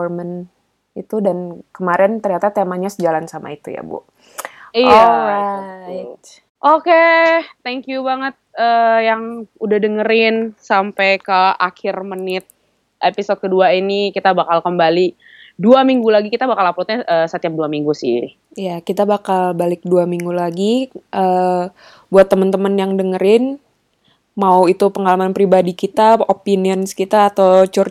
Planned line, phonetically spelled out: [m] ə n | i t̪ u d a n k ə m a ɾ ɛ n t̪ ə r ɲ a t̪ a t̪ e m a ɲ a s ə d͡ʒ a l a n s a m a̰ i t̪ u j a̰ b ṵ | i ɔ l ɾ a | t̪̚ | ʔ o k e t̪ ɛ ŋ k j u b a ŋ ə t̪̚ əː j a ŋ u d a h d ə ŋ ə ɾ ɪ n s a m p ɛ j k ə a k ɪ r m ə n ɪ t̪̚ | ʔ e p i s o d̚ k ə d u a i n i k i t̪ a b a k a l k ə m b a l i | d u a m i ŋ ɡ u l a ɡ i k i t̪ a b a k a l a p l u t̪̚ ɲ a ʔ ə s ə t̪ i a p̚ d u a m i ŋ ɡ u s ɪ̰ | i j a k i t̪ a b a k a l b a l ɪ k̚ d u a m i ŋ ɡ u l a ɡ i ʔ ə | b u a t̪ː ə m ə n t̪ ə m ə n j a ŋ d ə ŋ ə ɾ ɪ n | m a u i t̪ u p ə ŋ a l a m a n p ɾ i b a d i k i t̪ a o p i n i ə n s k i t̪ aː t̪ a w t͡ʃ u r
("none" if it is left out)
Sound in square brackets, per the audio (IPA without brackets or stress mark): m